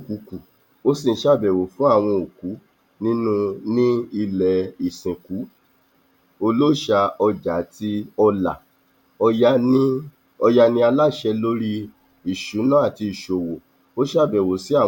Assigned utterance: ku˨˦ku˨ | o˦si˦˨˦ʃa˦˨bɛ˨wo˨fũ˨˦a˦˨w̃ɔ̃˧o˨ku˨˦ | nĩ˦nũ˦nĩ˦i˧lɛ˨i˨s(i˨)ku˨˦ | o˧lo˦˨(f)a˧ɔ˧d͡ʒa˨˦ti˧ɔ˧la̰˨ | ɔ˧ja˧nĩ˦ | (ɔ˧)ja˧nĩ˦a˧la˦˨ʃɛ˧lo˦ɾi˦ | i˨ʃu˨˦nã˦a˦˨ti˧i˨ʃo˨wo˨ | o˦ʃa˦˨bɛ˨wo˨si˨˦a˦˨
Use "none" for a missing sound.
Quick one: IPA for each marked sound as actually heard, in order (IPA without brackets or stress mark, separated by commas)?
ĩ˨, ʃ, ɔ˧